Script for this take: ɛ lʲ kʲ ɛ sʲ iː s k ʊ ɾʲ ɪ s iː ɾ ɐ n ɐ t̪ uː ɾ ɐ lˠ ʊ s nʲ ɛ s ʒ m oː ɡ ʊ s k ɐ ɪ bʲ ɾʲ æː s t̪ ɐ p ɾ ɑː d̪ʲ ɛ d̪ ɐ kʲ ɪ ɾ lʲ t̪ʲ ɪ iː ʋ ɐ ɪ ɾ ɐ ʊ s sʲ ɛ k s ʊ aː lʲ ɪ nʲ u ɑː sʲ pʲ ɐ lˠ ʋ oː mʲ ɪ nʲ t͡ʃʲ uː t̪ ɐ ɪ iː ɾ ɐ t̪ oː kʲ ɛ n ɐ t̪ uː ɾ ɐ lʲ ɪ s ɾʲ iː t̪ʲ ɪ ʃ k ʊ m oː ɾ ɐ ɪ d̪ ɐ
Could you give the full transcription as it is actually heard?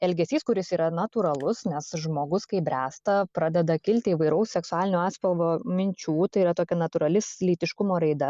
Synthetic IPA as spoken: ɛ lʲ ɡʲ ɛ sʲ iː s k ʊ ɾʲ ɪ s iː ɾ ɐ n ɐ t̪ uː ɾ ɐ lˠ ʊ s nʲ ɛ s ʒ m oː ɡ ʊ s k ɐ ɪ bʲ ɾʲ æː s t̪ ɐ p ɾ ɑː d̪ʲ ɛ d̪ ɐ kʲ ɪ lʲ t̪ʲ ɪ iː ʋ ɐ ɪ ɾ ɐ ʊ s sʲ ɛ k s ʊ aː lʲ ɪ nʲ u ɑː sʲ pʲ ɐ lˠ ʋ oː mʲ ɪ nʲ t͡ʃʲ uː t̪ ɐ ɪ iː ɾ ɐ t̪ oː kʲ ɛ n ɐ t̪ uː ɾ ɐ lʲ ɪ s lʲ iː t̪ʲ ɪ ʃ k ʊ m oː ɾ ɐ ɪ d̪ ɐ